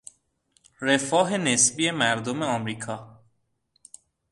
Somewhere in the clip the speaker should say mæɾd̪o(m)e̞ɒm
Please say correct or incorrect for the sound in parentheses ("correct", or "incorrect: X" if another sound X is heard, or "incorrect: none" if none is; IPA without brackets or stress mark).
correct